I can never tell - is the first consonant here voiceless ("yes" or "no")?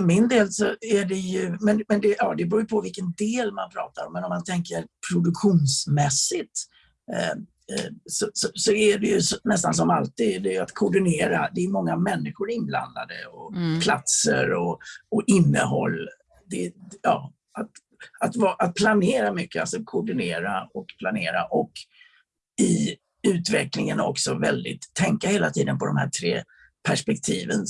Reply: yes